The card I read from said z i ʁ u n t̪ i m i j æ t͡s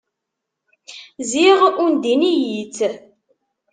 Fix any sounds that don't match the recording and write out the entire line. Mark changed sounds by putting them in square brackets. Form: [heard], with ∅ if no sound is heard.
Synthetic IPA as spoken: z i ʁ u n [d̪] i [n] i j [i] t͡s